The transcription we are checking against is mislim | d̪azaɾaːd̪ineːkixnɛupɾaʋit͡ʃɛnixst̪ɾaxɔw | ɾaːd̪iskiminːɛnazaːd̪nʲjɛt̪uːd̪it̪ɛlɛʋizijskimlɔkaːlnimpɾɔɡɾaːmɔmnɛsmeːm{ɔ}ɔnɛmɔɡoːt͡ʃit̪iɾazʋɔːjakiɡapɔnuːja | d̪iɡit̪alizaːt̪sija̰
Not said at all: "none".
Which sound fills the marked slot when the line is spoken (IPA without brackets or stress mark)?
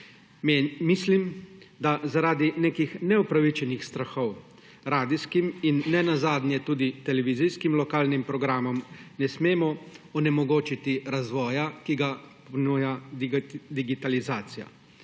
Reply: ɔ